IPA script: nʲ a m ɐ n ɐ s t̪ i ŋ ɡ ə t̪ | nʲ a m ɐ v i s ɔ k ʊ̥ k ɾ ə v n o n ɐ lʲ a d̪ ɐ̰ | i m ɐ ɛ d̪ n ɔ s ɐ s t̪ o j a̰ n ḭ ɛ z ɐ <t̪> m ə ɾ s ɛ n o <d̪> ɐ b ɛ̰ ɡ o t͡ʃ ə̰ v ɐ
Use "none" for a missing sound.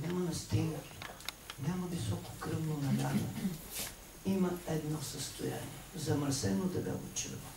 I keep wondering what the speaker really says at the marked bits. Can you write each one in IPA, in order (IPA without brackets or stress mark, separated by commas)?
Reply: none, d̪